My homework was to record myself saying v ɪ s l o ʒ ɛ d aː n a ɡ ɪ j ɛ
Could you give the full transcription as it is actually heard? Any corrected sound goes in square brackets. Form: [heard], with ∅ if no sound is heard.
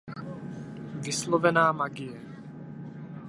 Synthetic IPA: v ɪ s l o [v] ɛ [n] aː [m] a ɡ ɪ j ɛ